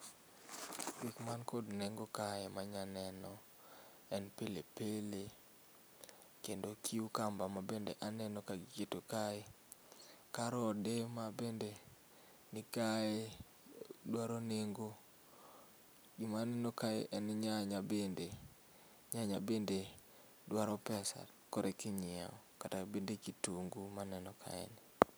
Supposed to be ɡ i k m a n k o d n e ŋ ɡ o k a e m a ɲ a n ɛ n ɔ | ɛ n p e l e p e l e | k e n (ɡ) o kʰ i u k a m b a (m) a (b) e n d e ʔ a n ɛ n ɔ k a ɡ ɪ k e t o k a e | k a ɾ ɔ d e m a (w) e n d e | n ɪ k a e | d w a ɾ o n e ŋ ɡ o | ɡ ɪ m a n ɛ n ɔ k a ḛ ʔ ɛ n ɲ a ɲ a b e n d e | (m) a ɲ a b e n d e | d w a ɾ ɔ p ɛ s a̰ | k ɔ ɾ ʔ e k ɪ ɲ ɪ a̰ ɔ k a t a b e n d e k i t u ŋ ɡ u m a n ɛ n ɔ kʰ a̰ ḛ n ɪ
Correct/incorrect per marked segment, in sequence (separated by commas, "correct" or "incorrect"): incorrect, correct, correct, incorrect, incorrect